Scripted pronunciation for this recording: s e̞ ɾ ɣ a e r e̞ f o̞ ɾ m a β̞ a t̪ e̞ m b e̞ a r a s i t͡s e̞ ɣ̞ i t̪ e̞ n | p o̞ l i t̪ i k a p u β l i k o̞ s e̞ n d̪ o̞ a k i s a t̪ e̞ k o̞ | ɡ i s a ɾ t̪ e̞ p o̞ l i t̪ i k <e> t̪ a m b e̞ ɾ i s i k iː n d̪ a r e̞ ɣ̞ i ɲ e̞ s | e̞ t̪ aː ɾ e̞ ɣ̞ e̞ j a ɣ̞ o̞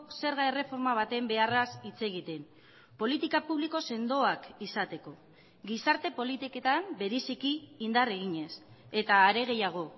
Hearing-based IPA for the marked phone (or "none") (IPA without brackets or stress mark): e